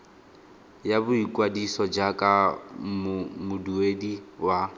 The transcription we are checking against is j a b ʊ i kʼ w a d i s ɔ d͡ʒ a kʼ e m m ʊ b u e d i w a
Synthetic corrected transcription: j a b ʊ i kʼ w a d i s ɔ d͡ʒ a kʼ a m m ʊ d u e d i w a

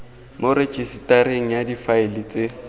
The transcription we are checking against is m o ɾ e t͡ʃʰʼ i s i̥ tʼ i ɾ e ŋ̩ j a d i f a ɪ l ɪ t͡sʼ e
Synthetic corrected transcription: m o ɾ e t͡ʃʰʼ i s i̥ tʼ a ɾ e ŋ̩ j a d i f a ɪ l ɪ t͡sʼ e

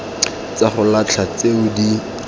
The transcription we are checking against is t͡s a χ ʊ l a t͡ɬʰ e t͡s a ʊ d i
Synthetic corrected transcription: t͡s a χ ʊ l a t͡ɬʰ a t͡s e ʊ d i

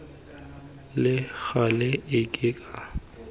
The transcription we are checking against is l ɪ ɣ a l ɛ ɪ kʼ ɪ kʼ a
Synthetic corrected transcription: l ɪ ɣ a l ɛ ɪ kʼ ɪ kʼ a

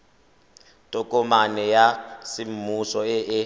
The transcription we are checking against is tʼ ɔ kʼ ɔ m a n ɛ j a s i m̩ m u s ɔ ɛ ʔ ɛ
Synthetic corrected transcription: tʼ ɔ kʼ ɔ m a n ɛ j a s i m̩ m u s ɔ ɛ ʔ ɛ

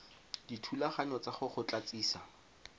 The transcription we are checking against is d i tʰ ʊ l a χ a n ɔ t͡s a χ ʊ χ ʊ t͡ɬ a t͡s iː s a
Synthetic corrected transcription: d i tʰ u l a χ a ɲ ɔ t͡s a χ ʊ χ ʊ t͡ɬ a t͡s iː s a

